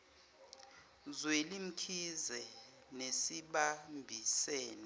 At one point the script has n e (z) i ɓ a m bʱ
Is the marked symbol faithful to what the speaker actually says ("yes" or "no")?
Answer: no